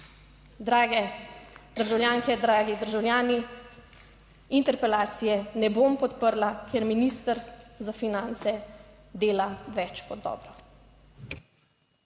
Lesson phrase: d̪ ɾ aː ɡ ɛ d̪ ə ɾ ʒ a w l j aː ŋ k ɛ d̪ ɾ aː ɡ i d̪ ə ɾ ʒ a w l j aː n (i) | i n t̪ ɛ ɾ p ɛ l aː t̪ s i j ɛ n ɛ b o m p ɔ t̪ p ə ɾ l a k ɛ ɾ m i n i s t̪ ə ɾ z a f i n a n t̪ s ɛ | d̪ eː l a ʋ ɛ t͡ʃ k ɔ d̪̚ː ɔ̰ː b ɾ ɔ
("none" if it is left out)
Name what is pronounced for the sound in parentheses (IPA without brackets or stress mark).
i